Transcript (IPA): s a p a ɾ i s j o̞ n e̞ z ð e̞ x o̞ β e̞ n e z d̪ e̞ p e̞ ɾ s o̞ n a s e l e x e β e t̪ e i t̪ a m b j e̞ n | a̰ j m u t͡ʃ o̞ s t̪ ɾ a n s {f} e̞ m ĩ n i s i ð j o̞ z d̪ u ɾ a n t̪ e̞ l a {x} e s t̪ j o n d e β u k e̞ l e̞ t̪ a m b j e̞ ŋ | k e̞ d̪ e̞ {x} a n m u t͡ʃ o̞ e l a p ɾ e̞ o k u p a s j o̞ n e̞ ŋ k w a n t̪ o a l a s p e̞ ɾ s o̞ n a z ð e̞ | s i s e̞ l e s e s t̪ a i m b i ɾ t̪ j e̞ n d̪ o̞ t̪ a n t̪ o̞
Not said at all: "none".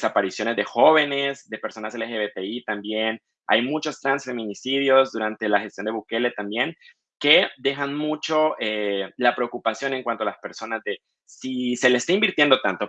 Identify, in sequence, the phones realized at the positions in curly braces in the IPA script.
f, x, x

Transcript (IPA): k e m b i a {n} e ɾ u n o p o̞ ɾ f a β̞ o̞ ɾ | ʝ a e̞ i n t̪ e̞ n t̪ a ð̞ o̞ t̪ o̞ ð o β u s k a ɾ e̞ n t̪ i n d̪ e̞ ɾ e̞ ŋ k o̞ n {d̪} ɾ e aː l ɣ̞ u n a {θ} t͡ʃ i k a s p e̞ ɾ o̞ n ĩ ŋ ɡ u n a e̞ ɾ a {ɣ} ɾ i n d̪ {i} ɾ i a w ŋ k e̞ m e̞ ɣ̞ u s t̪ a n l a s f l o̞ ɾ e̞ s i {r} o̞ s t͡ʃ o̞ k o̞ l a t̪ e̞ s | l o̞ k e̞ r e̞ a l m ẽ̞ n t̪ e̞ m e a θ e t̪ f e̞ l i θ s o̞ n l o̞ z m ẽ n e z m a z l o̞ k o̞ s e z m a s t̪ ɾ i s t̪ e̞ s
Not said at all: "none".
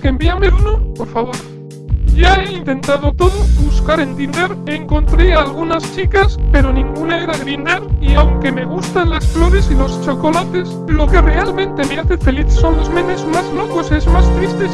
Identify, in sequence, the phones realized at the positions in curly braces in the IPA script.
m, t̪, s, ɣ, a, l

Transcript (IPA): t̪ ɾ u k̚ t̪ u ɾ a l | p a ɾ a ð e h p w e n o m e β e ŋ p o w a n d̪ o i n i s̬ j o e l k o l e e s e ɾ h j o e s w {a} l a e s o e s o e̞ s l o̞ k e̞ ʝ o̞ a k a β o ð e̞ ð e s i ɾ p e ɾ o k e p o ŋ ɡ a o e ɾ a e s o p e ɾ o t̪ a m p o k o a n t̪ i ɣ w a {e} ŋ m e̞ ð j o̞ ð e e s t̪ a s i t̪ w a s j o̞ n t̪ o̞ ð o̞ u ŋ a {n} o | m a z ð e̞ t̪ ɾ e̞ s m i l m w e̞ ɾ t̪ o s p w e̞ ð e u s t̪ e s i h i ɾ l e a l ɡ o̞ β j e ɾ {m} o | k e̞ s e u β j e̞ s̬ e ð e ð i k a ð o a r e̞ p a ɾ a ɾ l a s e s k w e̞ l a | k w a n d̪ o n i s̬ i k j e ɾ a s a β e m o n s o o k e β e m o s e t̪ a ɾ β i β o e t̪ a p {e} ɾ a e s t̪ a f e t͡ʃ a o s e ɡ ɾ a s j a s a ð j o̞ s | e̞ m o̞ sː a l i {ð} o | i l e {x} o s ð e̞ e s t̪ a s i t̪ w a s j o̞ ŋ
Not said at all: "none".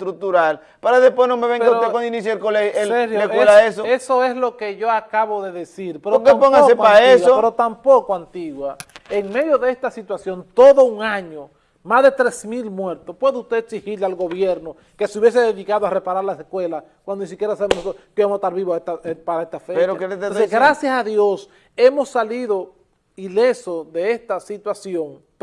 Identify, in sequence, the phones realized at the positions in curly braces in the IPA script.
e, e, ɲ, n, a, ð, s

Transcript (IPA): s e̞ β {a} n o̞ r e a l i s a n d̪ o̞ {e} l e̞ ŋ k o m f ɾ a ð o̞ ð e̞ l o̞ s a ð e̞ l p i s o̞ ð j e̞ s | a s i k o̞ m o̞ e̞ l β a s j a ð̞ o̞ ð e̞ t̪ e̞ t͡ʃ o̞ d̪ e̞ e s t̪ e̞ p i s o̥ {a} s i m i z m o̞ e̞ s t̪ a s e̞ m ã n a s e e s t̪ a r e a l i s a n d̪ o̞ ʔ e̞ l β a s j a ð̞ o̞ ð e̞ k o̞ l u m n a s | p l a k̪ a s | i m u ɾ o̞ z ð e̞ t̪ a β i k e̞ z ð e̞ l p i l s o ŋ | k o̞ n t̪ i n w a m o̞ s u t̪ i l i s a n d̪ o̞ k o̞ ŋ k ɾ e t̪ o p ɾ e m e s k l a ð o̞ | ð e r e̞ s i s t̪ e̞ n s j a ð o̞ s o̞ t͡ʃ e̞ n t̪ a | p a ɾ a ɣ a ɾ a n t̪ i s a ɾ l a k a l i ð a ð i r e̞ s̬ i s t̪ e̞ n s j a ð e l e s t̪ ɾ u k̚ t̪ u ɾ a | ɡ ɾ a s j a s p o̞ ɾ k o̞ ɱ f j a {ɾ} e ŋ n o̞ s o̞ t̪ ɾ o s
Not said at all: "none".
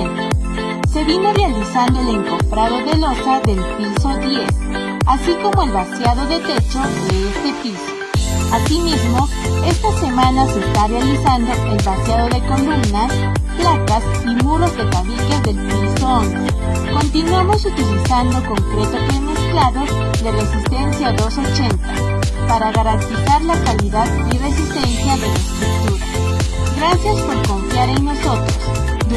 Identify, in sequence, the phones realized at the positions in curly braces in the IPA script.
i, e, a, ɾ

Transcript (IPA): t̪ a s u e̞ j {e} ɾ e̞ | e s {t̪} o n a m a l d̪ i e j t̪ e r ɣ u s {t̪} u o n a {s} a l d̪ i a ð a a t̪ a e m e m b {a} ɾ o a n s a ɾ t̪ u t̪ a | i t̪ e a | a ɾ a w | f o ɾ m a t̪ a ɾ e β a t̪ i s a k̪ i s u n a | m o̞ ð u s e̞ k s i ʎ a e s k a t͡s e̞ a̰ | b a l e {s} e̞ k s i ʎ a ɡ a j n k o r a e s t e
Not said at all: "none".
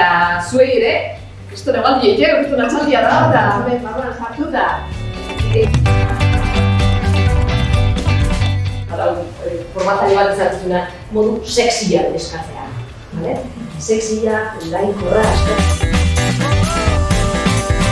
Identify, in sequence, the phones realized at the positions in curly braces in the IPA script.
e, t̪, t̪, t͡s, a, s

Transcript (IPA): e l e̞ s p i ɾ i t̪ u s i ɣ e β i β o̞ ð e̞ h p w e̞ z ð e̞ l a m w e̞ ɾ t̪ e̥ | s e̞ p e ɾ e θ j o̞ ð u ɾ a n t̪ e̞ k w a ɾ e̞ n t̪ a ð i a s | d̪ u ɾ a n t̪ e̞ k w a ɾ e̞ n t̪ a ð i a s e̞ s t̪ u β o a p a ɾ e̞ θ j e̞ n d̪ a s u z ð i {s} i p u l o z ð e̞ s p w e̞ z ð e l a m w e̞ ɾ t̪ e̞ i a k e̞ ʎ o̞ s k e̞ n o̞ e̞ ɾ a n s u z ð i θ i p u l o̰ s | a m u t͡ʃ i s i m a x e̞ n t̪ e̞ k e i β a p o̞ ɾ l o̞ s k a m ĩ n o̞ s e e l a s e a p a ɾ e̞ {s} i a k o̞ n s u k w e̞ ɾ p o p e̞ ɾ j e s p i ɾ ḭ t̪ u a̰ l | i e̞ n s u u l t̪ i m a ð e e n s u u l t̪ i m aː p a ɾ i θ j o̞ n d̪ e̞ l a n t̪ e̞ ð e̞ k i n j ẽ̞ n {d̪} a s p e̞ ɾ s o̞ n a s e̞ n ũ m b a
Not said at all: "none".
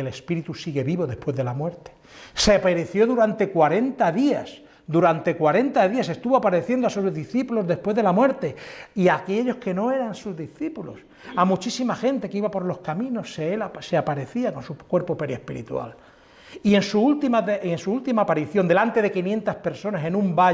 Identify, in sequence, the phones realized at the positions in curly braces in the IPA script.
θ, θ, t̪

